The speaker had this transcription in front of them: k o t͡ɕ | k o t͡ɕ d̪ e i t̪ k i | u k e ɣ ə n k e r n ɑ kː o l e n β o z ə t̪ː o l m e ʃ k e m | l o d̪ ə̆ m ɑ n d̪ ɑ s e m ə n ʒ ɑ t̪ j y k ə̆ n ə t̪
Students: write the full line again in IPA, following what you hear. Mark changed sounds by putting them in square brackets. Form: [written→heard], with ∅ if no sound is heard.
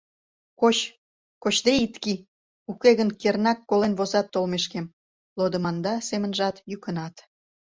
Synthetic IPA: k o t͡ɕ | k o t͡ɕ d̪ e i t̪ k i | u k e ɣ ə n k e r n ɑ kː o l e n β o z [ə→ɑ] t̪ː o l m e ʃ k e m | l o d̪ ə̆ m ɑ n d̪ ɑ s e m ə n ʒ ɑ t̪ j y k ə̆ n [ə→ɑ] t̪